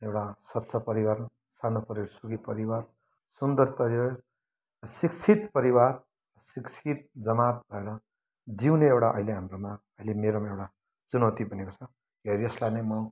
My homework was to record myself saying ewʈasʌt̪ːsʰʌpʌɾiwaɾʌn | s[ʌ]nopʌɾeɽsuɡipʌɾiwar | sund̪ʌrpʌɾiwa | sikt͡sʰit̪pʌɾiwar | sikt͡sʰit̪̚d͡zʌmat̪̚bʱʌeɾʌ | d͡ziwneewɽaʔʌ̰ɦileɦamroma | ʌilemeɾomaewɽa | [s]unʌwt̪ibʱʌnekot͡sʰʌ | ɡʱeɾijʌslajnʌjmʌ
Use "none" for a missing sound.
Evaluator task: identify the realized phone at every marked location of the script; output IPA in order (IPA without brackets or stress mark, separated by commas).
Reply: a, t͡s